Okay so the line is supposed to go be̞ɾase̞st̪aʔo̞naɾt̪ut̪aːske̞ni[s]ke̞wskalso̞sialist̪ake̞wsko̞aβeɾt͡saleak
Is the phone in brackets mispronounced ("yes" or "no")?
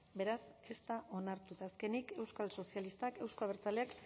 yes